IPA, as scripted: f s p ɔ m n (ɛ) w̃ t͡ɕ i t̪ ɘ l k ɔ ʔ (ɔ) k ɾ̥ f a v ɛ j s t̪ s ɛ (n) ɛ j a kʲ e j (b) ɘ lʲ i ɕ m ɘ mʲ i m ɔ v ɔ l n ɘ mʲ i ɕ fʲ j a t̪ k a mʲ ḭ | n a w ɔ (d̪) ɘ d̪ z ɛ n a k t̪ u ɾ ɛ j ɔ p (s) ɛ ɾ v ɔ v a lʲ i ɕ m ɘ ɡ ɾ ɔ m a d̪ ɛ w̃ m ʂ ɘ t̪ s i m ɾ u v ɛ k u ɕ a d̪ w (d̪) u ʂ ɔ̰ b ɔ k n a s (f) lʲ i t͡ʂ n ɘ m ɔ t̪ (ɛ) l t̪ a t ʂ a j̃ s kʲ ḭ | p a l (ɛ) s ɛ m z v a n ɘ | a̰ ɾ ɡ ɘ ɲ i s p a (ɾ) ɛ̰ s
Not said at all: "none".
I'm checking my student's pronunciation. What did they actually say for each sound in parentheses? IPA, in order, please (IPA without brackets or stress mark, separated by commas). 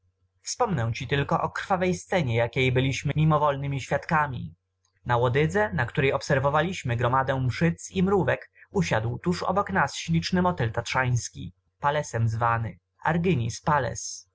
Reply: ɛ, ɔ, ɲ, b, d̪, s, t̪, ɕ, ɛ, ɛ, l